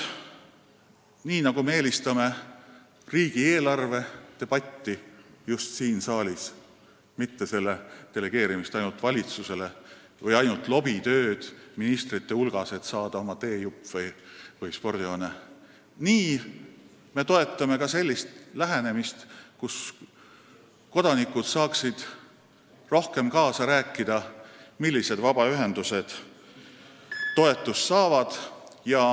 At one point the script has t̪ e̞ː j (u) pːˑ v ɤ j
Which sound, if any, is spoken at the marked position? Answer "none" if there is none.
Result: u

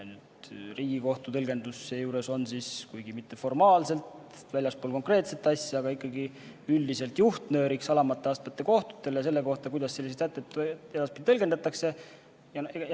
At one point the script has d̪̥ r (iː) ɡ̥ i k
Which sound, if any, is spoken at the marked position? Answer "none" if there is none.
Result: iː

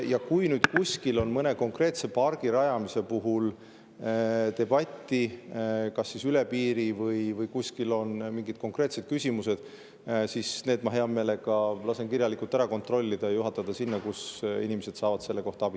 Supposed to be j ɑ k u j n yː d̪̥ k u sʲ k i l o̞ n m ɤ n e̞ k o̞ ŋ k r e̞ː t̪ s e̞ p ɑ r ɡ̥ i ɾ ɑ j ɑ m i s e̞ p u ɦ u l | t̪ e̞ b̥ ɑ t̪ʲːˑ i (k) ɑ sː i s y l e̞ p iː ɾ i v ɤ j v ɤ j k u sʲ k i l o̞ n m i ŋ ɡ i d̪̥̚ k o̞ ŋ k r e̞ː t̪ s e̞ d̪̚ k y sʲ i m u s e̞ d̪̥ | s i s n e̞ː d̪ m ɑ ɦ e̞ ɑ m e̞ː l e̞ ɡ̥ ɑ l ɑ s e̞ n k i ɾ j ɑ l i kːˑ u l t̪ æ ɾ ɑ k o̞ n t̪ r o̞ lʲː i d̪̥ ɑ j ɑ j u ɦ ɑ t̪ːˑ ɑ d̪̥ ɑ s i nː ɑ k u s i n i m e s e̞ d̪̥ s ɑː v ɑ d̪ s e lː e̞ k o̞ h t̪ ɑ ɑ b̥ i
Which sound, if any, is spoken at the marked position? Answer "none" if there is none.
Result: k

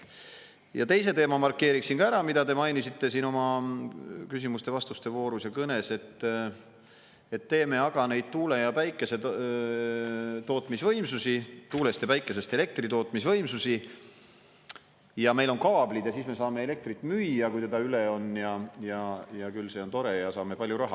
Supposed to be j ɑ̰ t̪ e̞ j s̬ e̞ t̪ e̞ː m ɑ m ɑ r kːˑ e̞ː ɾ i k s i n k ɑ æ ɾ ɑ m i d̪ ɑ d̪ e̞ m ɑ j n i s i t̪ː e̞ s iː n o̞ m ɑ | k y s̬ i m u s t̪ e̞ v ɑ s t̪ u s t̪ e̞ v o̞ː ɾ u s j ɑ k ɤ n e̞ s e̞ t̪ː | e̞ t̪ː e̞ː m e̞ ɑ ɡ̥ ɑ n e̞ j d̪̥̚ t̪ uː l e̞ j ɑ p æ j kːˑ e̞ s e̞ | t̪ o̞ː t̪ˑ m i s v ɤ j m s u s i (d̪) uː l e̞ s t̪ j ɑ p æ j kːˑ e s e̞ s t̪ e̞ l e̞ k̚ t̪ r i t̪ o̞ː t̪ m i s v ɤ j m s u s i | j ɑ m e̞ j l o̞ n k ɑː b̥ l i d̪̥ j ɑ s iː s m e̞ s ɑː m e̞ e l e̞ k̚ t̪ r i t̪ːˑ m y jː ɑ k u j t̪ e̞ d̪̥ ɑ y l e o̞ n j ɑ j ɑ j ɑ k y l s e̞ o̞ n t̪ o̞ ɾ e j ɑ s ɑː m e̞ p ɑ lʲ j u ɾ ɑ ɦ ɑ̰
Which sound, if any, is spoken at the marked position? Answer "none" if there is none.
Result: t̪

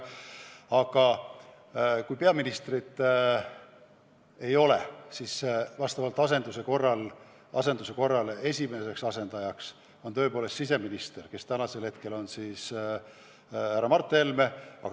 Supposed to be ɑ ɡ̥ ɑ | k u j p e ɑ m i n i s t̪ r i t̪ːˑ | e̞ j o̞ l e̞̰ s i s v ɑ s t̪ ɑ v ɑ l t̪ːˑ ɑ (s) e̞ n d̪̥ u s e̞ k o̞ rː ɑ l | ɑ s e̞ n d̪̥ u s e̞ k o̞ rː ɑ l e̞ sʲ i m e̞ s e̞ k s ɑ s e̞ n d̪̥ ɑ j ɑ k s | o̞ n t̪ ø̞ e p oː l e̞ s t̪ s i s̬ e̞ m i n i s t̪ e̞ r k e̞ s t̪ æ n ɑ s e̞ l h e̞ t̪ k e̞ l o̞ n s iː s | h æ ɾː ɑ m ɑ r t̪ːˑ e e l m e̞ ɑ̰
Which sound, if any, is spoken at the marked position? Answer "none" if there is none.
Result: s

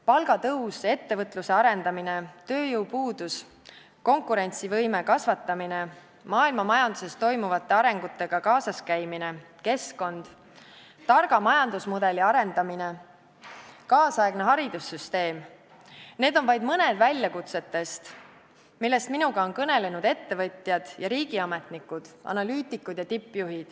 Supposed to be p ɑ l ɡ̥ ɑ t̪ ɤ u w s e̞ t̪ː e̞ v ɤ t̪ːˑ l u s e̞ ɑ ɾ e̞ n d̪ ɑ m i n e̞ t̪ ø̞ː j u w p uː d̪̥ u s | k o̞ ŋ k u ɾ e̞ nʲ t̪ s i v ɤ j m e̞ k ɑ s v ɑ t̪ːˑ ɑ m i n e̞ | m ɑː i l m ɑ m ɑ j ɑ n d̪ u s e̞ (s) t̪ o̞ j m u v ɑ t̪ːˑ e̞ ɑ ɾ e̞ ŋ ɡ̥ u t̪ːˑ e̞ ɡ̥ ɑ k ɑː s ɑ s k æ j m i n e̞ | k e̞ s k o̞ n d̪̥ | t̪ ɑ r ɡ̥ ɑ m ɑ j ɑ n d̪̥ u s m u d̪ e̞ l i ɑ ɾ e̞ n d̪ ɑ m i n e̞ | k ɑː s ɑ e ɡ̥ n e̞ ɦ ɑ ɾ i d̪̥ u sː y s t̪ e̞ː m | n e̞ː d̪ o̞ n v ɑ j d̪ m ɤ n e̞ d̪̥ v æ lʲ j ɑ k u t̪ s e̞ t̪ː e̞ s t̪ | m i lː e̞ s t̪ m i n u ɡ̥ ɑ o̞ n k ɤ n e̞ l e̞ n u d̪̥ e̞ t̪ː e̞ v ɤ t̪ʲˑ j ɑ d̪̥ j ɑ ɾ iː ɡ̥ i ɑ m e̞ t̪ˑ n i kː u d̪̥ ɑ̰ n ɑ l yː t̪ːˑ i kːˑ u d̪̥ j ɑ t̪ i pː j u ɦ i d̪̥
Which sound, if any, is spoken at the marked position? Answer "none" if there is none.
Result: s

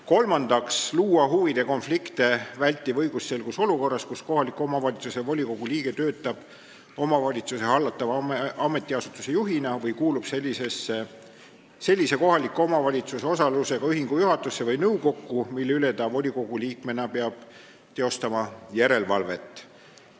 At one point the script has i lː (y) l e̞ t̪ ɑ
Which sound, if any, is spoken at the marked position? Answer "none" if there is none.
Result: y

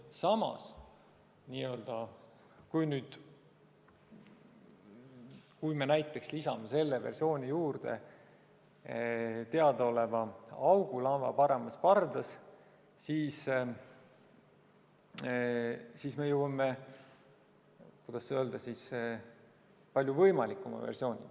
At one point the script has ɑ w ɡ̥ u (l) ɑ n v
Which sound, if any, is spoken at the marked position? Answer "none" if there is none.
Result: l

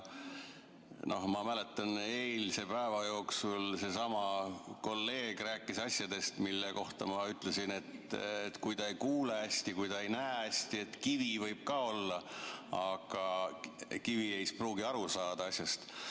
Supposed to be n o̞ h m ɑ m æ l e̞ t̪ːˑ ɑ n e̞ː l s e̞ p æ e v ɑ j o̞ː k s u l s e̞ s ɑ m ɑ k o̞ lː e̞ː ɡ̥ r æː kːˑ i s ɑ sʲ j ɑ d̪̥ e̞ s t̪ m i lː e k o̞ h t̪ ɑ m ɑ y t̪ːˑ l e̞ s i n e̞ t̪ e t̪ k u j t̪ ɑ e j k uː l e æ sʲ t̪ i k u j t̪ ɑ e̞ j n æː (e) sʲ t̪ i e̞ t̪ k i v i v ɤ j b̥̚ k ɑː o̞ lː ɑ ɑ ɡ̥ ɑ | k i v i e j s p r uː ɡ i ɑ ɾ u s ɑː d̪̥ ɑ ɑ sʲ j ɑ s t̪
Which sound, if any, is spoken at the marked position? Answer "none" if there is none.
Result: æ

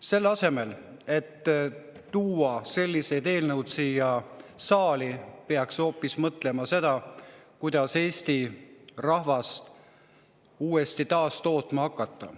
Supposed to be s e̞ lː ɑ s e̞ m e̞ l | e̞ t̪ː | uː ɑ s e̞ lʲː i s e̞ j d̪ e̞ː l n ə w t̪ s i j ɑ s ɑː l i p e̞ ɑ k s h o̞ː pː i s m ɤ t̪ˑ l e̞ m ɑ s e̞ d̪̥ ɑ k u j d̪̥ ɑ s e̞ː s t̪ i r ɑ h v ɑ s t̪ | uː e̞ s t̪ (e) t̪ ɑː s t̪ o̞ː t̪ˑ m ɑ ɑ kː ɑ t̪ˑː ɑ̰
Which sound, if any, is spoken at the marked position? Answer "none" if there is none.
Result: i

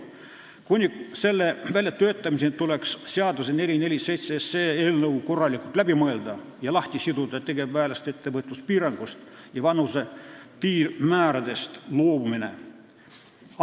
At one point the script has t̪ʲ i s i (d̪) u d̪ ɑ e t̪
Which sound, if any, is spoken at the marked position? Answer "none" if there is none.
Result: d̪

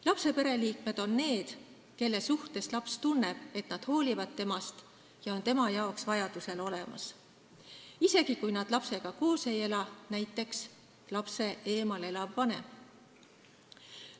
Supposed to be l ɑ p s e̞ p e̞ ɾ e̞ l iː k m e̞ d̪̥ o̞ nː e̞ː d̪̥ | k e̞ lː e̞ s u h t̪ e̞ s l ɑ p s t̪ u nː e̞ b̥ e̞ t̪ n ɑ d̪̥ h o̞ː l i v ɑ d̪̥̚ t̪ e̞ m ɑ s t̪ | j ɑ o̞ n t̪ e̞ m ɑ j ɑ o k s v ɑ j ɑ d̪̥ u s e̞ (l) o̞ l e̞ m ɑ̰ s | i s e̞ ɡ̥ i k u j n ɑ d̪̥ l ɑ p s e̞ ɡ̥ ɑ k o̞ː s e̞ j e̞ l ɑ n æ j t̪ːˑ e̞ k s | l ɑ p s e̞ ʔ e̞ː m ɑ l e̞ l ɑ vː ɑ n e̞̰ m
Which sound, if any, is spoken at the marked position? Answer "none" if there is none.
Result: l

